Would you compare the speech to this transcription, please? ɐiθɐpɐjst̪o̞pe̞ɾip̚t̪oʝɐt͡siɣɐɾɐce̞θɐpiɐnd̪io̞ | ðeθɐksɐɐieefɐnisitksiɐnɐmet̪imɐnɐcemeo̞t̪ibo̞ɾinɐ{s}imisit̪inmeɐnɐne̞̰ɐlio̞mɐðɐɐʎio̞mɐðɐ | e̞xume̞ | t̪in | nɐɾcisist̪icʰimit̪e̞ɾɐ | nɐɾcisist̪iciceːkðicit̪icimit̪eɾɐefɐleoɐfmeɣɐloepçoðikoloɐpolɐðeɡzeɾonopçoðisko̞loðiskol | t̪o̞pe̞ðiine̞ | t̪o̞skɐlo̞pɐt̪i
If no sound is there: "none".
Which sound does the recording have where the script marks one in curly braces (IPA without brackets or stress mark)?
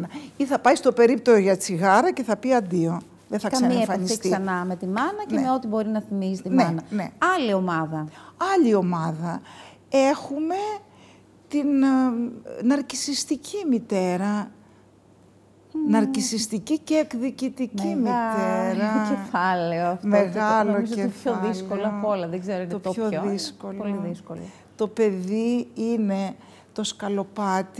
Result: θ